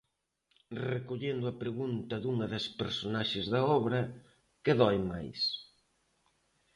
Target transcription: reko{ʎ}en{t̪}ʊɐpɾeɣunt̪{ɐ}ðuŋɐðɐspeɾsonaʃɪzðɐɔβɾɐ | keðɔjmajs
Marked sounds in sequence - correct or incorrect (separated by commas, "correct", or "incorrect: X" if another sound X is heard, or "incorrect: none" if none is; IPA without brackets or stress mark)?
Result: correct, incorrect: d̪, correct